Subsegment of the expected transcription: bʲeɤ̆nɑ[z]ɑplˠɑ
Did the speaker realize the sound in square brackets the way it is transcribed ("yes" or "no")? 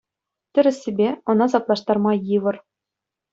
yes